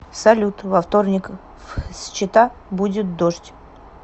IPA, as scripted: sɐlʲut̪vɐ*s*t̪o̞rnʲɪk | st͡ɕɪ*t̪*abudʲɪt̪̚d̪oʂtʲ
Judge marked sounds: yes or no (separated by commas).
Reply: no, yes